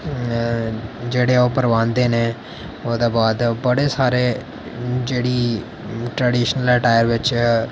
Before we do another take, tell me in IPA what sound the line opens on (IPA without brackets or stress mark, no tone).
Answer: d͡ʒ